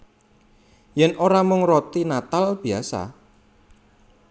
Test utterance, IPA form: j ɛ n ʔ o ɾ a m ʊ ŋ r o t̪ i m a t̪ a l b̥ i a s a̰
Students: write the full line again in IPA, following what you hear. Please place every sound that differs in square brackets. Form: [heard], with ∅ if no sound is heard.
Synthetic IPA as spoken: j ɛ n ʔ o ɾ a m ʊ ŋ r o t̪ i [n] a t̪ a l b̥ i a s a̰

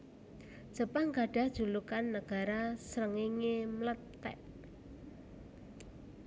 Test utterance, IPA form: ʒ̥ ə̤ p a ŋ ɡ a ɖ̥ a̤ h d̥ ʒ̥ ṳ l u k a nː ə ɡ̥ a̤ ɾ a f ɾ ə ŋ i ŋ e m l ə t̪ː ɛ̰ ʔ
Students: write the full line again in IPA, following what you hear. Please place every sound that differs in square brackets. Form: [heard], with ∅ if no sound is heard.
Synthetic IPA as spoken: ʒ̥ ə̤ p a ŋ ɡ a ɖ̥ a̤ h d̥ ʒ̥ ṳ l u k a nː ə ɡ̥ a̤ ɾ a [s] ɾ ə ŋ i ŋ e m l ə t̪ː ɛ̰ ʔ

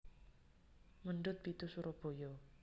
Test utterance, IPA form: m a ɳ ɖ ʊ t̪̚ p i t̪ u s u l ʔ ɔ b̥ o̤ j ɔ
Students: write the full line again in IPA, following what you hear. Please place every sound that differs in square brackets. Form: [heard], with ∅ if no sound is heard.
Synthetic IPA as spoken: m [ə] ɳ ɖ ʊ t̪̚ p i t̪ u s u [ɾ] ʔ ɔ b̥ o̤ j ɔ

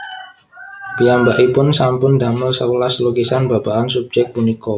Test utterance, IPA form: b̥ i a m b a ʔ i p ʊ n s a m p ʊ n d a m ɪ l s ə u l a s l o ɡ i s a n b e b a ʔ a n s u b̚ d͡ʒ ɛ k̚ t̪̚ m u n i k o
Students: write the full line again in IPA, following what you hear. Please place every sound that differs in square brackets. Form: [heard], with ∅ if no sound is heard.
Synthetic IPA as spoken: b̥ i a m b a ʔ i p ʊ n s a m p ʊ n d a m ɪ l s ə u l a s l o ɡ i s a n b [a] b a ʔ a n s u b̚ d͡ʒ ɛ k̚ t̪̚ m u n i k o

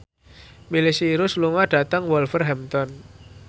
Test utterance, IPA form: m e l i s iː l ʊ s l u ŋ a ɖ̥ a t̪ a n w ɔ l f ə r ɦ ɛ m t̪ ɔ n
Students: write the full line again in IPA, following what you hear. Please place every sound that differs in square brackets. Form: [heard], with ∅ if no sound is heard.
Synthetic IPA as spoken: m [i] l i s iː [ɾ] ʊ s l u ŋ a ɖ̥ a t̪ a [ŋ] w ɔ l f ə r ɦ ɛ m t̪ ɔ n

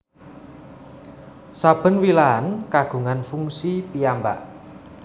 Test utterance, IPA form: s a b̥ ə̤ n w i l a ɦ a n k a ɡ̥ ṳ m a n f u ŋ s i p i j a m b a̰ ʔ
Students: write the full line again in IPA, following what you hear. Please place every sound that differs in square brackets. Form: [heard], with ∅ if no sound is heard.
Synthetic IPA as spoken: s a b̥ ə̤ n w i l a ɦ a n k a ɡ̥ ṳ [ŋ] a n f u ŋ s i p i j a m b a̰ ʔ

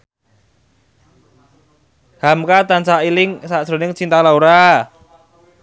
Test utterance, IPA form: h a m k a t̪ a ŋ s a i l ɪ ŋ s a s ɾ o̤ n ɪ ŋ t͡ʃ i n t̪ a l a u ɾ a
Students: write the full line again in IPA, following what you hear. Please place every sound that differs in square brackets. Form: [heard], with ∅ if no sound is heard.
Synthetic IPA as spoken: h a m k a t̪ a [n] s a i l ɪ ŋ s a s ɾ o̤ n ɪ ŋ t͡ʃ i n t̪ a l a u ɾ a

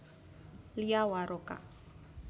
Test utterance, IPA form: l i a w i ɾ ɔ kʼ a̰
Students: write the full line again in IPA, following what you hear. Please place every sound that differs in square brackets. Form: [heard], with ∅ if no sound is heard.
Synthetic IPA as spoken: l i a w [a] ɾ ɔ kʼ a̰

